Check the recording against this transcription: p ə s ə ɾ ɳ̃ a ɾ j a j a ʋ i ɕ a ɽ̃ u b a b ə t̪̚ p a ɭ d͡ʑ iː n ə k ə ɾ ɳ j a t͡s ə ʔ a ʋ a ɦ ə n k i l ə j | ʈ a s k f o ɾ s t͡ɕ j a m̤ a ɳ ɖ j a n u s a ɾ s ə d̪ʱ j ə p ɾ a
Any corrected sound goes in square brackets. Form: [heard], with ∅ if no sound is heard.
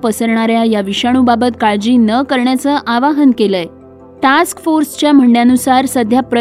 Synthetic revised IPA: p ə s ə ɾ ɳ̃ a ɾ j a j a ʋ i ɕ a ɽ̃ u b a b ə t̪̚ [k] a ɭ d͡ʑ iː n ə k ə ɾ ɳ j a t͡s ə ʔ a ʋ a ɦ ə n k [e] l ə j | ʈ a s k f o ɾ s t͡ɕ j a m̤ [ə] ɳ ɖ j a n u s a ɾ s ə d̪ʱ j [a] p ɾ [ə]